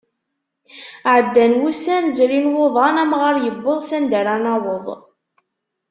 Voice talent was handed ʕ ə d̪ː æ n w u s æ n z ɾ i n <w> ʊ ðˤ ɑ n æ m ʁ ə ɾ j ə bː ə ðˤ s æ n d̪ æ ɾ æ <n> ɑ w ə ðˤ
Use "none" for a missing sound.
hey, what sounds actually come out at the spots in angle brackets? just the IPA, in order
w, n

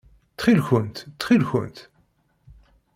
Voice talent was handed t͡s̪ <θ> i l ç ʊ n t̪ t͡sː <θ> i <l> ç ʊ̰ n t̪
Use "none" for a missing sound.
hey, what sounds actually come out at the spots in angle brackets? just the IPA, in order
χ, χ, l

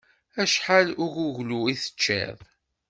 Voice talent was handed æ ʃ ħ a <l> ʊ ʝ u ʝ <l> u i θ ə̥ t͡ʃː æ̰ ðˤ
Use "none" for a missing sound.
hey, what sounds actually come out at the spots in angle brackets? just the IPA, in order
l, l

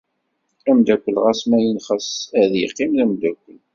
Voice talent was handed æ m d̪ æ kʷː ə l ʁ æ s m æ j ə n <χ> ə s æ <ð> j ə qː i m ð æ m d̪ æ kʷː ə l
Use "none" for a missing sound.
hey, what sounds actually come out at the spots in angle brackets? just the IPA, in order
χ, ð

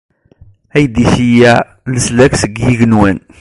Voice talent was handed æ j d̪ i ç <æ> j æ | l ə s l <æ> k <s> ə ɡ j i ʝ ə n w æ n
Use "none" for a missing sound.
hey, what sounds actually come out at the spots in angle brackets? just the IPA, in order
i, æ, s

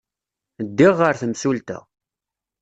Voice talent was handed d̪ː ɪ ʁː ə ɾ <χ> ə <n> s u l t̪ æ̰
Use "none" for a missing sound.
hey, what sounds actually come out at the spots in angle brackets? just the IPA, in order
θ, m

